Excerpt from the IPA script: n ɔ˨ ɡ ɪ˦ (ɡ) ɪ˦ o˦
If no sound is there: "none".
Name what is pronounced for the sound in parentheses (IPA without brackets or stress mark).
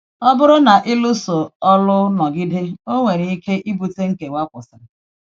d